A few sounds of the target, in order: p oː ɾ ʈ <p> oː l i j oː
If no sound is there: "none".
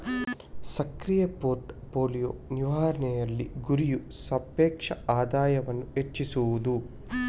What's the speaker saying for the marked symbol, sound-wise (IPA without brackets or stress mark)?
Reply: p